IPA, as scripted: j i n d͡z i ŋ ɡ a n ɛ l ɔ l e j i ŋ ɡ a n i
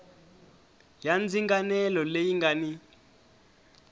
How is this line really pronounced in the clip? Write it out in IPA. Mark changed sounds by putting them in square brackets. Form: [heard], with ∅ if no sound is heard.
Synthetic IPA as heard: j [a] n d͡z i ŋ ɡ a n ɛ l ɔ l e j i ŋ ɡ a n i